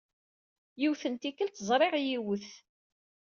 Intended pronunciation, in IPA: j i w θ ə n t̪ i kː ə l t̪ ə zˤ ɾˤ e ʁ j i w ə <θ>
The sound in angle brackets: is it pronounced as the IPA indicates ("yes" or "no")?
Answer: yes